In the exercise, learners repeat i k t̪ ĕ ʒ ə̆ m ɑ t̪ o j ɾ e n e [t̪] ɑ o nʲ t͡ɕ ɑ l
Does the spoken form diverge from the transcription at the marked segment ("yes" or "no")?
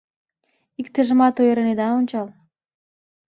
yes